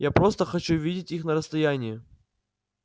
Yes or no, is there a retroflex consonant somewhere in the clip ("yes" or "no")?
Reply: no